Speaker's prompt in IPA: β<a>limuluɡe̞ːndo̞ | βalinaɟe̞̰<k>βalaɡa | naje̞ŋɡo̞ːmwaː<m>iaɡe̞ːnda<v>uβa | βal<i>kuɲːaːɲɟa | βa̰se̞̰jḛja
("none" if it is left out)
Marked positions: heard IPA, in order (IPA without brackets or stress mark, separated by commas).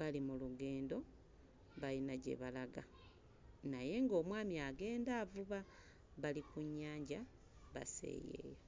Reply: a, none, m, v, i